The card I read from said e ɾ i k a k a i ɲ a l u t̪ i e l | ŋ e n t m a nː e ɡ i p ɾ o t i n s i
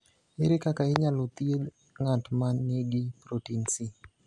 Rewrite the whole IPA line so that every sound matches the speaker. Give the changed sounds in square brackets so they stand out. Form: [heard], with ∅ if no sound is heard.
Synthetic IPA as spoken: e ɾ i k a k a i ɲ a l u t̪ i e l | ŋ [a] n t m a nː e ɡ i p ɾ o t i n s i